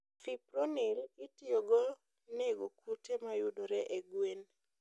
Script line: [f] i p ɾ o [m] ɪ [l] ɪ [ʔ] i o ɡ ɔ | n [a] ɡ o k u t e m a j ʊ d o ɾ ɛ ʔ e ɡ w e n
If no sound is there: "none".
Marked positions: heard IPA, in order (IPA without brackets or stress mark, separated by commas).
f, n, l, t, e